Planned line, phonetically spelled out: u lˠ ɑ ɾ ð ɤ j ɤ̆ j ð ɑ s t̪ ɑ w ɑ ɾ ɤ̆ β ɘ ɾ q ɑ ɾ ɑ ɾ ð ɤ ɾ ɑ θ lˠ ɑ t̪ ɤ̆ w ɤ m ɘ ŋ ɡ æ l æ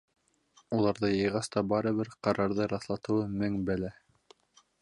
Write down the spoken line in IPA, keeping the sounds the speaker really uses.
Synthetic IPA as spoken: u lˠ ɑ ɾ ð ɤ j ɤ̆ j ʁ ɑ s t̪ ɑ b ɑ ɾ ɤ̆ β ɘ ɾ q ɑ ɾ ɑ ɾ ð ɤ ɾ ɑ θ lˠ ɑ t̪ ɤ̆ w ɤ m ɘ ŋ b æ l æ